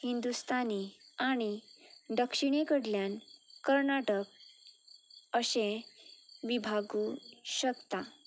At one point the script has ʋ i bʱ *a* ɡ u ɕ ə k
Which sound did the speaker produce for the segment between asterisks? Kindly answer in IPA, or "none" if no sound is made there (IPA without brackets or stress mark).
a